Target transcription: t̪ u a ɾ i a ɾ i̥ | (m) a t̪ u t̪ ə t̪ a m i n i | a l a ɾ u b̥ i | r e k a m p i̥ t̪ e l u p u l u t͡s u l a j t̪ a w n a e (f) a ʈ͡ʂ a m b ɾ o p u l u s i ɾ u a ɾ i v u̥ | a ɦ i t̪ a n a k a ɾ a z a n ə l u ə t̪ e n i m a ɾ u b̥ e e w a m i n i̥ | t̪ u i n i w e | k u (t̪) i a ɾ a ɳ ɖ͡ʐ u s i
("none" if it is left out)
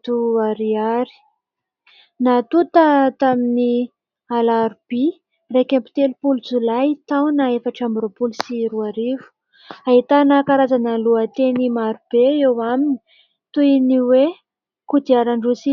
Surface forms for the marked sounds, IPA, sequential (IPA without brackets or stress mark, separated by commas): n, f, d̪